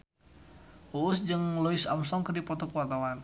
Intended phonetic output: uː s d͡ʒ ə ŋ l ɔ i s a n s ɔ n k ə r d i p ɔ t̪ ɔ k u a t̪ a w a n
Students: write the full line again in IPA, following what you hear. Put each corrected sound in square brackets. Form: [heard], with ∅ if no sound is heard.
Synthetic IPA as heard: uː s d͡ʒ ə ŋ l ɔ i s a [m] s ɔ [ŋ] k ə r d i p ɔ t̪ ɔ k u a t̪ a w a n